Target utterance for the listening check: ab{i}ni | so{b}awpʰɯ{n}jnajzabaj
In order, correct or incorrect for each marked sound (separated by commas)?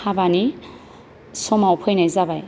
incorrect, incorrect, incorrect